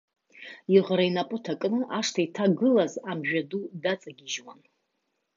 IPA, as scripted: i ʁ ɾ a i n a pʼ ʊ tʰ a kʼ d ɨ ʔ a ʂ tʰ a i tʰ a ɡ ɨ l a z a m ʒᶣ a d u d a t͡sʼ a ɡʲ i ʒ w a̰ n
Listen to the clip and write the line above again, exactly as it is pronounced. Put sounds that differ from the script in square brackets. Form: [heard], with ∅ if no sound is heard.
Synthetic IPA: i ʁ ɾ a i n a pʼ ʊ tʰ a kʼ [n] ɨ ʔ a ʂ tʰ a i tʰ a ɡ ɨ l a z a m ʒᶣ a d u d a t͡sʼ a ɡʲ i ʒ w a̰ n